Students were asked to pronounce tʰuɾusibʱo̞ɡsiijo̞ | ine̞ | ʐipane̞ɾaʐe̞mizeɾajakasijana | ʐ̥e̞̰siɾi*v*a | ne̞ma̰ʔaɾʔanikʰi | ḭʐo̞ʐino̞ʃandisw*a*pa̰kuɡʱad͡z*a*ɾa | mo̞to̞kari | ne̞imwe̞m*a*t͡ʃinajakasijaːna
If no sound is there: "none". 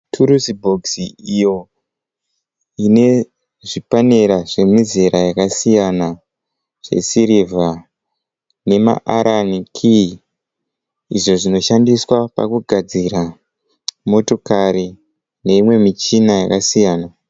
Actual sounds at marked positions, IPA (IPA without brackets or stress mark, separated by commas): v, a, i, i